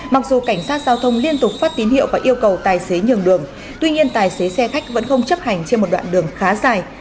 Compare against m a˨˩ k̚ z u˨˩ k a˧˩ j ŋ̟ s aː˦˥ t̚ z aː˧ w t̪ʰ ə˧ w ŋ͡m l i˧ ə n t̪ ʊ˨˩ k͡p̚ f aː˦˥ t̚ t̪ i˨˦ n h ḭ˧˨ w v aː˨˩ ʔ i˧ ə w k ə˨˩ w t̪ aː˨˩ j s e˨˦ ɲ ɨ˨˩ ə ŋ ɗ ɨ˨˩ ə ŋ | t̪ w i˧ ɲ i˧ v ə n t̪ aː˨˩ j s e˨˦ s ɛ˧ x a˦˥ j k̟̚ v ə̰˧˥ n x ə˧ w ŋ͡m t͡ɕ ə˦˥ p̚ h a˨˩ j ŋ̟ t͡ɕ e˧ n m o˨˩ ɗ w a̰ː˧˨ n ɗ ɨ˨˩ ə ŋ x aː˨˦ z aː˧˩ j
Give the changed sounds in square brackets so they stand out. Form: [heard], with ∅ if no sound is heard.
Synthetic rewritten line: m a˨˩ k̚ z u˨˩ k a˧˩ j ŋ̟ s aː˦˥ t̚ z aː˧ w t̪ʰ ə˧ w ŋ͡m l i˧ ə n t̪ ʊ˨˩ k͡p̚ f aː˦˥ t̚ t̪ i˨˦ n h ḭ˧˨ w v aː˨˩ ʔ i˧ ə w k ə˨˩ w t̪ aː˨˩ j s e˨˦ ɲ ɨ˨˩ ə ŋ ɗ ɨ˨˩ ə ŋ | t̪ w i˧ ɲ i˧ [∅] ə n t̪ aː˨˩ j s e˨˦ s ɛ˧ x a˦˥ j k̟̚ v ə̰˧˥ n x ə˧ w ŋ͡m t͡ɕ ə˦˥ p̚ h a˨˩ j ŋ̟ t͡ɕ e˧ n m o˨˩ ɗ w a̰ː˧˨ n ɗ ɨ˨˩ ə ŋ x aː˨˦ z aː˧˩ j